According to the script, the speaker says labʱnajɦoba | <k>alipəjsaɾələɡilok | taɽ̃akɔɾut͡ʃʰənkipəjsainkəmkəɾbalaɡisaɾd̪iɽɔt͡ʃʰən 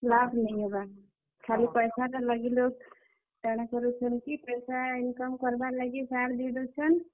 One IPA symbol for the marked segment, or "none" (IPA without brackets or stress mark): kʰ